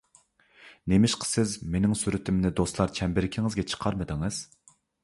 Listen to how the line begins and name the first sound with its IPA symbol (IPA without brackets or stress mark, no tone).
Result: n